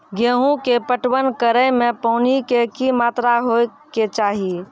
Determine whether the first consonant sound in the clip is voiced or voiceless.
voiced